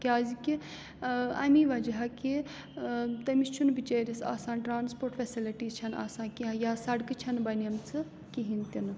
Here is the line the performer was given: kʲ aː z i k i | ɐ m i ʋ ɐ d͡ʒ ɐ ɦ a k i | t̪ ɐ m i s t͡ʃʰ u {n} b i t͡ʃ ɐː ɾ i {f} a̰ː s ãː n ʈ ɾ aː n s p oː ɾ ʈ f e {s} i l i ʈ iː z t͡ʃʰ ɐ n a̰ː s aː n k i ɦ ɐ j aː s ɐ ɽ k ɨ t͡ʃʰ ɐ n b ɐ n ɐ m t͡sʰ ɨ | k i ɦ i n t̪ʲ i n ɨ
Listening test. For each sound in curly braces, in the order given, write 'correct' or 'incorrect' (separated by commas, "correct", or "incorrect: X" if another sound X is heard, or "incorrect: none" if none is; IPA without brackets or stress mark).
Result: correct, incorrect: s, correct